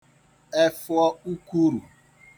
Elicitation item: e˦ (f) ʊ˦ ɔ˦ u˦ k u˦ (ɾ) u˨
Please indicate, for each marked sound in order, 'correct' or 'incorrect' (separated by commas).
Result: correct, correct